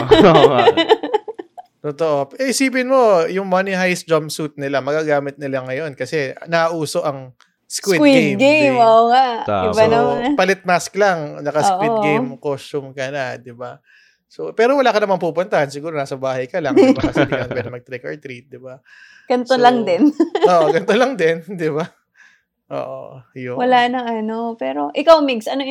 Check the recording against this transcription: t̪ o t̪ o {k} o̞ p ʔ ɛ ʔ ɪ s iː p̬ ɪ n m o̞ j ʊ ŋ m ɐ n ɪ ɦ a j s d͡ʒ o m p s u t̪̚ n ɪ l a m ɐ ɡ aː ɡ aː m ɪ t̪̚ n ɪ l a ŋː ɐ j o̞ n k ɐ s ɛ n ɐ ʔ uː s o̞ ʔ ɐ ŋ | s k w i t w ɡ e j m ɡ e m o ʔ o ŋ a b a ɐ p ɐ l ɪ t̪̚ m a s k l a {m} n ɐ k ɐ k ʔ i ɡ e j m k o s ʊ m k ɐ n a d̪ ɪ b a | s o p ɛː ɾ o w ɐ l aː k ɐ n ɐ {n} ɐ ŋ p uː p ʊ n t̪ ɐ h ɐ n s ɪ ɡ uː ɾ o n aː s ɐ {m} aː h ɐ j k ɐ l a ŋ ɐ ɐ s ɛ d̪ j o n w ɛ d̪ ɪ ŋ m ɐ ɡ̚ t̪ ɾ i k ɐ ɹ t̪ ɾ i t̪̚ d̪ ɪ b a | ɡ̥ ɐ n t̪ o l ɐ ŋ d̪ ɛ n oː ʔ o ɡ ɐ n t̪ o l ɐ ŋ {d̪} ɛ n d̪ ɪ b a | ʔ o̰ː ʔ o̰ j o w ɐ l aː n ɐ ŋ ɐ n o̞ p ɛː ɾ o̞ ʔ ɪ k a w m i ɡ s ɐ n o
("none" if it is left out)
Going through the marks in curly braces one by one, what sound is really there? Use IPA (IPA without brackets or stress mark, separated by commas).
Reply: ʔ, ŋ, m, b, d̪